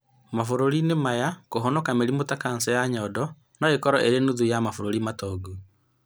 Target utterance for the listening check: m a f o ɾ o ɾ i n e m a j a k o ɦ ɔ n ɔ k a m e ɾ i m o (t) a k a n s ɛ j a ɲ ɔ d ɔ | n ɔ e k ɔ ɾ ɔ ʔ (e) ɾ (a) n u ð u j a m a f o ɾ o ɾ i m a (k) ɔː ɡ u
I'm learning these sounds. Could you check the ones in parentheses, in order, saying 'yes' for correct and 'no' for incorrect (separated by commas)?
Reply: yes, yes, no, no